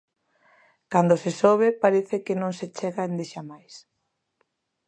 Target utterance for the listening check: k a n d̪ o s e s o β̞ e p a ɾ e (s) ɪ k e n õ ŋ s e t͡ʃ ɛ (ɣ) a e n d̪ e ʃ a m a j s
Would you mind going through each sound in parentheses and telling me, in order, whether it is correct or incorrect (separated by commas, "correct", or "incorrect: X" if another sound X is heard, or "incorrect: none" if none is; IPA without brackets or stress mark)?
incorrect: θ, correct